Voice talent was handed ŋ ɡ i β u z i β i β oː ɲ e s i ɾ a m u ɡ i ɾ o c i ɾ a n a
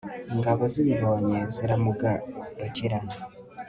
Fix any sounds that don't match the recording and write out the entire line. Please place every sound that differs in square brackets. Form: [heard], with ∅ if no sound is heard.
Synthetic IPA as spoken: ŋ ɡ [a] β [o] z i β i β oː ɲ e [z] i ɾ a m u ɡ [a] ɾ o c i ɾ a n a

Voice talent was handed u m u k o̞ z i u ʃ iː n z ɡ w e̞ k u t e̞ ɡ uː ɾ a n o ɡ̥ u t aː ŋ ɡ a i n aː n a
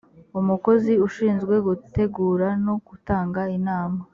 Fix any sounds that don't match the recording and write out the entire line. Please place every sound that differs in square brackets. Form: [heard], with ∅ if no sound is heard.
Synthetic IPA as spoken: u m u k o̞ z i u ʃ iː n z ɡ w e̞ [ɡ] u t e̞ ɡ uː ɾ a n o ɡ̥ u t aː ŋ ɡ a i n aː [m] a

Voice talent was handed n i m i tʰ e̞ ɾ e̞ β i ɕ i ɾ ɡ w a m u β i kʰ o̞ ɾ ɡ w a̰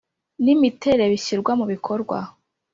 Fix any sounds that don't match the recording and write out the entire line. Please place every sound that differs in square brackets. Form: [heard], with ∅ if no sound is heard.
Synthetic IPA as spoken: n i m i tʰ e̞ ɾ e̞ β i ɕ i ɾ ɡ w a m u β i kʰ o̞ ɾ ɡ w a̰

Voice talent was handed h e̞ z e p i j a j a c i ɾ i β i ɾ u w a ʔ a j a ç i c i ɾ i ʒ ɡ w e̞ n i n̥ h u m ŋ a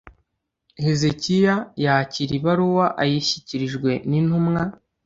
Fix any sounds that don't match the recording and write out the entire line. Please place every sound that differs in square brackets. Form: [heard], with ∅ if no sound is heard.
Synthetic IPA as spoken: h e̞ z e [c] i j a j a c i ɾ i β [a] ɾ u w a ʔ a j [i] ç i c i ɾ i ʒ ɡ w e̞ n i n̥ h u m ŋ a

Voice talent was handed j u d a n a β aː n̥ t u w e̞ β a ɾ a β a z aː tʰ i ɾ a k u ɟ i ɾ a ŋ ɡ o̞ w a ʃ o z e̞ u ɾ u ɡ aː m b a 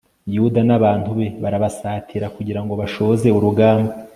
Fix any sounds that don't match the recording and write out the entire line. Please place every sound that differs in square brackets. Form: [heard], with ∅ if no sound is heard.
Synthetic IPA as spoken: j u d a n a β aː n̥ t u [β] e̞ β a ɾ a β a [s] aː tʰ i ɾ a k u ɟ i ɾ a ŋ ɡ o̞ [β] a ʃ o z e̞ u ɾ u ɡ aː m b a

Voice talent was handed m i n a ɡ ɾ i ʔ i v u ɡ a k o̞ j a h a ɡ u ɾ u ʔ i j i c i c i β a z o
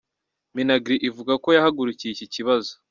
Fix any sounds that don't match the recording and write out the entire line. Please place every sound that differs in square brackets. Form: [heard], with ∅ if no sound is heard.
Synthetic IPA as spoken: m i n a ɡ ɾ i ʔ i v u ɡ a k o̞ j a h a ɡ u ɾ u [c] i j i c i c i β a z o

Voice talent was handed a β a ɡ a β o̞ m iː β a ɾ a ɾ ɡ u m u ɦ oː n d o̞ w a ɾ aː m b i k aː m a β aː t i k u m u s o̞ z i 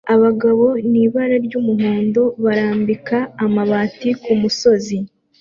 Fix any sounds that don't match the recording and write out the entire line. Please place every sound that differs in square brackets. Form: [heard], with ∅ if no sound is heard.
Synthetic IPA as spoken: a β a ɡ a β o̞ [n] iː β a ɾ a ɾ [ɟ] u m u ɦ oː n d o̞ [β] a ɾ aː m b i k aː m a β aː t i k u m u s o̞ z i

